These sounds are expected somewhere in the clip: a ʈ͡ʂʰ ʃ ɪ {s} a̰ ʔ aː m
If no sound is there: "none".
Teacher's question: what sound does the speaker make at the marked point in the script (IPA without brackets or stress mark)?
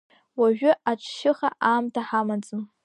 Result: χ